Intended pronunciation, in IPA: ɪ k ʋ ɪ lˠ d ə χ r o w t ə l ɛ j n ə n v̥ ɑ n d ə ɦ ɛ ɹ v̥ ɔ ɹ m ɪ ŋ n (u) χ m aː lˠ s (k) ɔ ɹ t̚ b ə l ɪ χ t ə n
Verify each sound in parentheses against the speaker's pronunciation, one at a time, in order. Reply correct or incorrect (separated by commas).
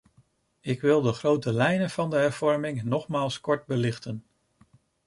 incorrect, correct